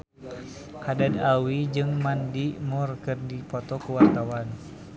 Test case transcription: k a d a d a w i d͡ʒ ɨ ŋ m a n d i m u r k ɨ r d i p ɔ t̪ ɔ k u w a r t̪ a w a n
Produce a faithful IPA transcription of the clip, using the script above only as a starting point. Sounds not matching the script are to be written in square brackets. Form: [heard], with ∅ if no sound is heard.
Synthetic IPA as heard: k a d a d a w i d͡ʒ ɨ ŋ m a n d i m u r k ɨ r d i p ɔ t̪ ɔ k u w a r t̪ a w a n